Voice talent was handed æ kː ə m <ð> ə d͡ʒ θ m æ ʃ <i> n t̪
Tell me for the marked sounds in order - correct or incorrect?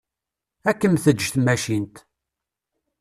incorrect: θ, correct

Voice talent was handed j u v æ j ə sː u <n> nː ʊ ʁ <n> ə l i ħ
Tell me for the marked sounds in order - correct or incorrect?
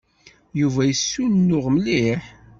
correct, incorrect: m

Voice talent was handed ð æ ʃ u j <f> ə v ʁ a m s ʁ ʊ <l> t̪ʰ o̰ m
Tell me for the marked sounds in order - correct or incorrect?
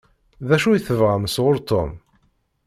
incorrect: θ, incorrect: ɾ

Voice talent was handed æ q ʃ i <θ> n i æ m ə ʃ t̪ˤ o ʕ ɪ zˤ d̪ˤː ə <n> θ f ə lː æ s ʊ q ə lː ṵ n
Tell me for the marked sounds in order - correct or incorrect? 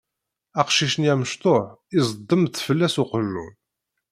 incorrect: ʃ, incorrect: m

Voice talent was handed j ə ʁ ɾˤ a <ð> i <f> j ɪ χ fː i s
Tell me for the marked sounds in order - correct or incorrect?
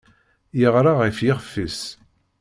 incorrect: ʁ, correct

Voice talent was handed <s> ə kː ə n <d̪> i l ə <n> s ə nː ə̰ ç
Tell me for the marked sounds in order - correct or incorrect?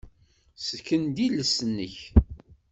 correct, correct, incorrect: none

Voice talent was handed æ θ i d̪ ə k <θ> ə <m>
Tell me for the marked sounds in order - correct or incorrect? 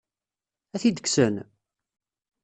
incorrect: s, incorrect: n

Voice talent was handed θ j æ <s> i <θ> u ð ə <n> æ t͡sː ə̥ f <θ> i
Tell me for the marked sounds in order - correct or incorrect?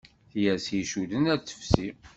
correct, incorrect: ʃ, correct, incorrect: s

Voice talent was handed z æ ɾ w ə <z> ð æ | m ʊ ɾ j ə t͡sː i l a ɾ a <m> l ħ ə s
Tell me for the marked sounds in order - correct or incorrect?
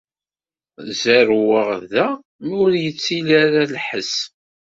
incorrect: ʁ, incorrect: none

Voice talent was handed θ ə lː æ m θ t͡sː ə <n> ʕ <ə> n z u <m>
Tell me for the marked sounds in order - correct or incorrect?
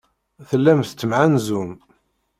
incorrect: m, incorrect: a, correct

